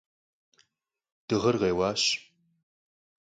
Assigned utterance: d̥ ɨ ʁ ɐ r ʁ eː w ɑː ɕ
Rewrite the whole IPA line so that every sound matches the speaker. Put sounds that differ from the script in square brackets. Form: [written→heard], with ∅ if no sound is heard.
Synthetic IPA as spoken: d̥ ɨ ʁ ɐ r ʁ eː w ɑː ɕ

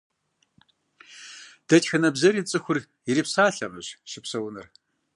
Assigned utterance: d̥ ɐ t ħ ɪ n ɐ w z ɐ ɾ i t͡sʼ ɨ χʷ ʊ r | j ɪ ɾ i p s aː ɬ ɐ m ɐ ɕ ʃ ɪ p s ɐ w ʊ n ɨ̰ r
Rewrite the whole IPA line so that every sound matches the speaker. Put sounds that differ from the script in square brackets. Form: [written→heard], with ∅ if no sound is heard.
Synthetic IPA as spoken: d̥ ɐ t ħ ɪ n ɐ [w→b] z ɐ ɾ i t͡sʼ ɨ [χʷ→xʷ] ʊ r | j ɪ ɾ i p s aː ɬ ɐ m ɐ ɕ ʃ ɪ p s ɐ w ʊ n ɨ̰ r

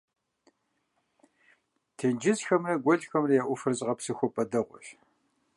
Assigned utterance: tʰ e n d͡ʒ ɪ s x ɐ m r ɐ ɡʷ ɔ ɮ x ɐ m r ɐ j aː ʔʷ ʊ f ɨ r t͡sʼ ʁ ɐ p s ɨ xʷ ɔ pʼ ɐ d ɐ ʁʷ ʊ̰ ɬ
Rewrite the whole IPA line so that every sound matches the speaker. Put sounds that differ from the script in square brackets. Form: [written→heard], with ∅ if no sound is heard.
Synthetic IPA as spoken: tʰ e n d͡ʒ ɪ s x ɐ m r ɐ ɡʷ ɔ ɮ x ɐ m r ɐ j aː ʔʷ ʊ f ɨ r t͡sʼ ʁ ɐ p s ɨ xʷ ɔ pʼ ɐ d ɐ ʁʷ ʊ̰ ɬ

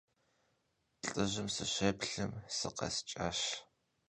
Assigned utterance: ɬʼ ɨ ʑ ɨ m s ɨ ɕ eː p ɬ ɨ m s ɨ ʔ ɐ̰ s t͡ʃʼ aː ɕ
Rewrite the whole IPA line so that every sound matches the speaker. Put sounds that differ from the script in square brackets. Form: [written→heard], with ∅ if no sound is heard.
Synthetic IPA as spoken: ɬʼ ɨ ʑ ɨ m s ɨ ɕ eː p ɬ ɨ m s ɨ [ʔ→q] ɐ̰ s t͡ʃʼ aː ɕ

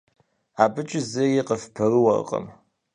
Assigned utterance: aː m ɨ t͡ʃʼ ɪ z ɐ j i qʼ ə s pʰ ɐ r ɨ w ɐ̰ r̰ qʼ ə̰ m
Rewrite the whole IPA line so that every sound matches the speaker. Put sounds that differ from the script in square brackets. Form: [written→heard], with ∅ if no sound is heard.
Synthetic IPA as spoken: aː [m→b] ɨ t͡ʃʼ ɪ z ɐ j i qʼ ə [s→f] pʰ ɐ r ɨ w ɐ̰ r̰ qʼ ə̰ m

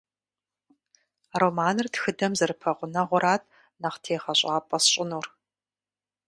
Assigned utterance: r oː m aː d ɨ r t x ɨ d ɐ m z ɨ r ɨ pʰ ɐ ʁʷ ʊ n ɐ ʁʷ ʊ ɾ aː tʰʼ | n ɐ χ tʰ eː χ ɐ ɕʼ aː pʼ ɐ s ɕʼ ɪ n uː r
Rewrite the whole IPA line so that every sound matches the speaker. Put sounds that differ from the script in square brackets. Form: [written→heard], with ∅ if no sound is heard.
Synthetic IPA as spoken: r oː m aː [d→n] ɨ r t x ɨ d ɐ m z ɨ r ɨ pʰ ɐ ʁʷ ʊ n ɐ ʁʷ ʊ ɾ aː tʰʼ | n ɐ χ tʰ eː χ ɐ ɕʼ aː pʼ ɐ s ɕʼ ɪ n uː r

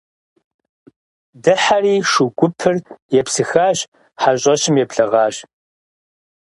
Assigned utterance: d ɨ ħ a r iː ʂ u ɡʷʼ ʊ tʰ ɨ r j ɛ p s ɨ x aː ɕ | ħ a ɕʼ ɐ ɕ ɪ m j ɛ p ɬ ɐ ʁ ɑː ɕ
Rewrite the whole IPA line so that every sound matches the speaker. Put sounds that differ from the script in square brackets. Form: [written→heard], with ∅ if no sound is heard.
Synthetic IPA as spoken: d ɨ ħ a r iː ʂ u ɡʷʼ ʊ [tʰ→pʰ] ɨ r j ɛ p s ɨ x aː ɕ | ħ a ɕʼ ɐ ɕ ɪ m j ɛ p ɬ ɐ ʁ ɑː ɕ

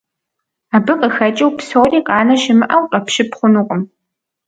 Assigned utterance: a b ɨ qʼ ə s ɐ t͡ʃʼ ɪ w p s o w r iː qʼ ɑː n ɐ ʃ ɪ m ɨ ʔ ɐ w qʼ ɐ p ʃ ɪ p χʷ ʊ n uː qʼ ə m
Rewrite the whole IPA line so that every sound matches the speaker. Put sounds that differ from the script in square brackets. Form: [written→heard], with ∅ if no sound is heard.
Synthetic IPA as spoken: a b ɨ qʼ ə [s→x] ɐ t͡ʃʼ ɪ w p s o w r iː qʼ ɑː n ɐ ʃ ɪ m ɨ ʔ ɐ w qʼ ɐ p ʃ ɪ p χʷ ʊ n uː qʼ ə m

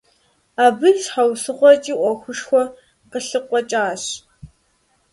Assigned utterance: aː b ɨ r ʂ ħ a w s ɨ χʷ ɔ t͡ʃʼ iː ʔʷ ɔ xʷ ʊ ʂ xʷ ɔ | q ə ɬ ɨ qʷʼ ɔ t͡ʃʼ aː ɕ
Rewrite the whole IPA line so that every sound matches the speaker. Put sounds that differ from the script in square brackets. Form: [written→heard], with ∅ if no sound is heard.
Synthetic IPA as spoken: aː b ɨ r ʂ ħ a w s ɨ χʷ ɔ t͡ʃʼ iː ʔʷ ɔ xʷ ʊ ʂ xʷ ɔ | q ə ɬ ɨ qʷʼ ɔ t͡ʃʼ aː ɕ

